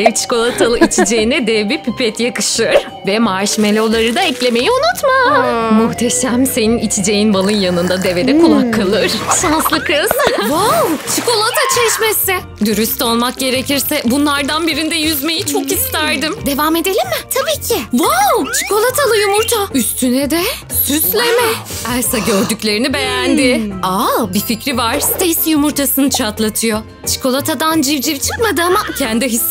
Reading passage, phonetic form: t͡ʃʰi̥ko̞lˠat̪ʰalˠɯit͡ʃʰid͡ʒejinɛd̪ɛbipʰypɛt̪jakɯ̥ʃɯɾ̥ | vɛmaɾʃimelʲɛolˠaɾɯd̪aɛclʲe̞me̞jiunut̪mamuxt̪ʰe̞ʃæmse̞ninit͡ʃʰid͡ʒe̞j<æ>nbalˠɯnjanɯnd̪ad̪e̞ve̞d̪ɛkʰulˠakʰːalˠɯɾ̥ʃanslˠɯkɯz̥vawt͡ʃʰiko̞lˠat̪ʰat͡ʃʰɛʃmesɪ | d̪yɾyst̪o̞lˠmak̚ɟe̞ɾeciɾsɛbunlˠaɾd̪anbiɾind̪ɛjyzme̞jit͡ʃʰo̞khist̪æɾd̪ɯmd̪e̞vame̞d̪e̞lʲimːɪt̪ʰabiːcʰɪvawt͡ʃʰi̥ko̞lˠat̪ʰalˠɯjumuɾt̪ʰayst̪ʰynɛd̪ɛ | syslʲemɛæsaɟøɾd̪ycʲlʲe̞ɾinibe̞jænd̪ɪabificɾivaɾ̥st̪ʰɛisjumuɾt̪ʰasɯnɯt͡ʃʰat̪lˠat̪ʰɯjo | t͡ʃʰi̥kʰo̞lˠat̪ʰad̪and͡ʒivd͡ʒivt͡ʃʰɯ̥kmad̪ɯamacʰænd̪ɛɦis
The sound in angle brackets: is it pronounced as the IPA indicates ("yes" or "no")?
no